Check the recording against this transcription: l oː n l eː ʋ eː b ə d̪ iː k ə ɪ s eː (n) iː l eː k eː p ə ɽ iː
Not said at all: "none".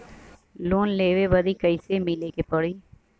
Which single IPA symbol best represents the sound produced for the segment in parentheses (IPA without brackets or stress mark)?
m